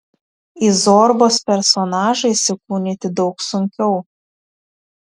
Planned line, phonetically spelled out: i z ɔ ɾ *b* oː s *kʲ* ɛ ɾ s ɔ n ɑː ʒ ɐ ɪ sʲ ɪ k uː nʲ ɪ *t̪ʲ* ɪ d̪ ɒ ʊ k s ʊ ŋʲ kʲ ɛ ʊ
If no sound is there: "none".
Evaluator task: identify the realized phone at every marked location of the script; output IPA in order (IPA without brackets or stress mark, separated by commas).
b, pʲ, t̪ʲ